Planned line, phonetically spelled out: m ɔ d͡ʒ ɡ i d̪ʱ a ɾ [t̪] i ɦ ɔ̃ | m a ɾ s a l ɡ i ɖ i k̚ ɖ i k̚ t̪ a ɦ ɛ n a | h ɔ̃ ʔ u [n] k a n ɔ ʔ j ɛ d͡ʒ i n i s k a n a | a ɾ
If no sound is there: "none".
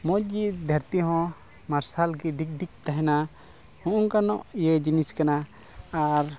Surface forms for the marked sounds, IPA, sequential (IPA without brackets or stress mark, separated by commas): t̪, ŋ